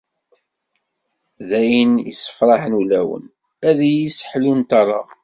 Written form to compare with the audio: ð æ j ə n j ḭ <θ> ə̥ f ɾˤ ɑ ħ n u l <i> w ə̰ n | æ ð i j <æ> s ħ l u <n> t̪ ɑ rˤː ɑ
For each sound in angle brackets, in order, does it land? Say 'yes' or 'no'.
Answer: no, no, no, yes

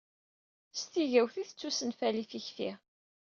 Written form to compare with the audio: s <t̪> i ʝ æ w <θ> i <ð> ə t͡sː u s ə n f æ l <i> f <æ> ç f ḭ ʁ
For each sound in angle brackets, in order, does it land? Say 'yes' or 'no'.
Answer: yes, yes, no, yes, no

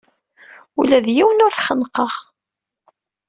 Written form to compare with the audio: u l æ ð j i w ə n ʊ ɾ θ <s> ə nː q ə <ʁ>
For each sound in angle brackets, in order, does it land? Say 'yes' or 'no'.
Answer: no, yes

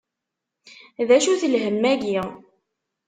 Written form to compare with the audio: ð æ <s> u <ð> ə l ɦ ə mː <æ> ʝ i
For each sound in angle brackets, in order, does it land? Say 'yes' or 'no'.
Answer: no, no, yes

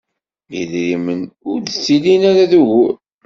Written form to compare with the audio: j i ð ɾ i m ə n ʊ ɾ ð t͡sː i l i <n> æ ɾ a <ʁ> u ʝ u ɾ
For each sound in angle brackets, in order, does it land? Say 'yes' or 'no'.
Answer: yes, no

